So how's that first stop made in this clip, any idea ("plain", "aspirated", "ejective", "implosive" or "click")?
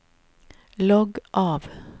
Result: plain